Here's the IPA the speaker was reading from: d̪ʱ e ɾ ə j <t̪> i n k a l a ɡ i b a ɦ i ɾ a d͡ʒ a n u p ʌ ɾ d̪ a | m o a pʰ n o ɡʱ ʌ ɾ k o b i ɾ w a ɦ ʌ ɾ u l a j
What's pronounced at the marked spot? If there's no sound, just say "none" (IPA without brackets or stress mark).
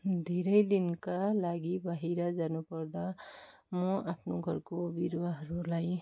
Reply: d̪